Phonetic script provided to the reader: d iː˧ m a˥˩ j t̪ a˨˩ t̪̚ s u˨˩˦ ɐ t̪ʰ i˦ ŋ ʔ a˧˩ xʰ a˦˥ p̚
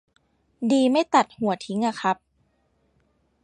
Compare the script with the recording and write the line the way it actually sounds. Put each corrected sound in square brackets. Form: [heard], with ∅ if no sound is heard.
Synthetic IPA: d iː˧ m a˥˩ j t̪ a˨˩ t̪̚ [h] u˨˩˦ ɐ t̪ʰ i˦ ŋ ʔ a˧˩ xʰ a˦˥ p̚

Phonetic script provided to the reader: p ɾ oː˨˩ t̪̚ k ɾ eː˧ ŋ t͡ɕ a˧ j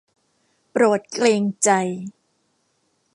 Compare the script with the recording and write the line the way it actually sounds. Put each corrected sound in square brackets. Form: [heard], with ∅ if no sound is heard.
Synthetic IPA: p ɾ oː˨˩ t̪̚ k [l] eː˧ ŋ t͡ɕ a˧ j

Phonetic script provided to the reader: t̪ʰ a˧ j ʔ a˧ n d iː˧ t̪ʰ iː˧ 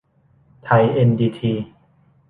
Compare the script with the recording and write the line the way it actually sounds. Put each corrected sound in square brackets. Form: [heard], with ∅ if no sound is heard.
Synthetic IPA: t̪ʰ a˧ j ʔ [e˧] n d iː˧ t̪ʰ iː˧

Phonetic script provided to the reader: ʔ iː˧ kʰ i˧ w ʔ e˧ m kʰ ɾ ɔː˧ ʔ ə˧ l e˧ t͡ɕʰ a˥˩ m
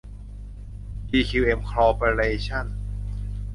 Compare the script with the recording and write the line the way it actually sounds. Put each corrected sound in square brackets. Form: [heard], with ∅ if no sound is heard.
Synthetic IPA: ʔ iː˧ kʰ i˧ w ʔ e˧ m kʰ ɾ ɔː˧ [p] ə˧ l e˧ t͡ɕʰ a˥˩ [n]

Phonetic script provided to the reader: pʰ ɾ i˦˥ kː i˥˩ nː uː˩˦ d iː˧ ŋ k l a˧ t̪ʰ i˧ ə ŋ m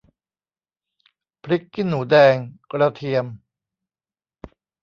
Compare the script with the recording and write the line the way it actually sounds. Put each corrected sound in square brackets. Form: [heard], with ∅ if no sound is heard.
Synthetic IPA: pʰ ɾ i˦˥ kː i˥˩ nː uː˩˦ d [ɛː˧] ŋ k [ɾ] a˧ t̪ʰ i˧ ə [∅] m

